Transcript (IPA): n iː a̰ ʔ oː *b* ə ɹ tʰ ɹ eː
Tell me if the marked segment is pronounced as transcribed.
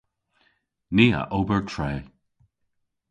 yes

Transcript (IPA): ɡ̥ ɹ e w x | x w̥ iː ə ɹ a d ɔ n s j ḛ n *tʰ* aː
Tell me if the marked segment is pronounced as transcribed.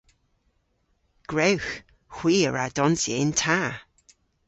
yes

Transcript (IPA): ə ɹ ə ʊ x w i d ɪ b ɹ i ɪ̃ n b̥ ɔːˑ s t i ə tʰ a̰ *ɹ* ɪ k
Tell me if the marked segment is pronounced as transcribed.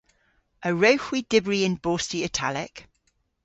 no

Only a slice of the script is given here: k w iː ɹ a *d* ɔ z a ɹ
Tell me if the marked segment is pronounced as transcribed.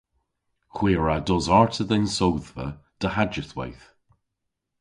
yes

